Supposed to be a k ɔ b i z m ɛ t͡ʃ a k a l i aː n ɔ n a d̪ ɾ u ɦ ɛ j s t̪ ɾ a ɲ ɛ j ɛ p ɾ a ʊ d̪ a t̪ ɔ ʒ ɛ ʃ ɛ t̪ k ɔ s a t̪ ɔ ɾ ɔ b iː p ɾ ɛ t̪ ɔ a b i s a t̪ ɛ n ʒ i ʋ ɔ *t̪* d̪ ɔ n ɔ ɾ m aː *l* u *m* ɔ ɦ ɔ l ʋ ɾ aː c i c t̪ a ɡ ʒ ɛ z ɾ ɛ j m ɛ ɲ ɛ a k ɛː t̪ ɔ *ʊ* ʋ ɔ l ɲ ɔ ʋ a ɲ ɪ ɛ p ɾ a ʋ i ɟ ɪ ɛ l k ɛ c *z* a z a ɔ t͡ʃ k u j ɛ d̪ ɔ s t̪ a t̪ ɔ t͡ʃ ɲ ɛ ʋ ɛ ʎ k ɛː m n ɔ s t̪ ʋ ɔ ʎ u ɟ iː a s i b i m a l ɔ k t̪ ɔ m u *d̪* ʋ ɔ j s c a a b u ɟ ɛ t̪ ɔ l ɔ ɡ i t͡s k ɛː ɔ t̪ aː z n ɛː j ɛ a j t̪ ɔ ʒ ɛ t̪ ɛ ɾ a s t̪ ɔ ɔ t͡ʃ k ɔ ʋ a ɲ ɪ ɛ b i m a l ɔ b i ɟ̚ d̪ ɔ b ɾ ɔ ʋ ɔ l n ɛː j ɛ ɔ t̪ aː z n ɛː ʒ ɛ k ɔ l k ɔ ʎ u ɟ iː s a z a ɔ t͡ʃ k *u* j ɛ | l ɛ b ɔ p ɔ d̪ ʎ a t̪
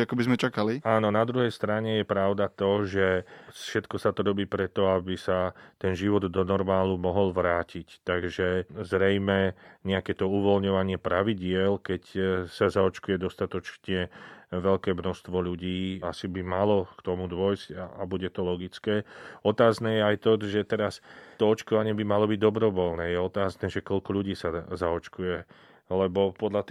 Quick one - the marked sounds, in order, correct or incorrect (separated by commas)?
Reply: incorrect, correct, correct, incorrect, incorrect, correct, correct